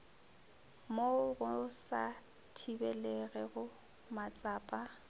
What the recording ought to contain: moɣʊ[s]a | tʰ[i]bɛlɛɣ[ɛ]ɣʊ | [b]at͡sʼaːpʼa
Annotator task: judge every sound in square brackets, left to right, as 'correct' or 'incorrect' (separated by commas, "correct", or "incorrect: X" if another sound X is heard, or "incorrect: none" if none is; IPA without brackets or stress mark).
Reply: correct, correct, correct, incorrect: m